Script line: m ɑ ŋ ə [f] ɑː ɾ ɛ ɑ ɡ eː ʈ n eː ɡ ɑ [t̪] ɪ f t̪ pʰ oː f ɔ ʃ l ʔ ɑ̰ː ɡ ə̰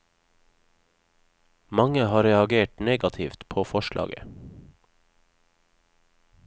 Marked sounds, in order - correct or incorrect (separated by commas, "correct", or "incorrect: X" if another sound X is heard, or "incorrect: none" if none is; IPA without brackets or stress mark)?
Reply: incorrect: h, incorrect: t̪ʰ